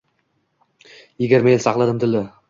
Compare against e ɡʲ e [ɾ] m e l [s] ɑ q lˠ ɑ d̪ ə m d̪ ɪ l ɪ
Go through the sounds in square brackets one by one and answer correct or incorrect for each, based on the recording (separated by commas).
correct, correct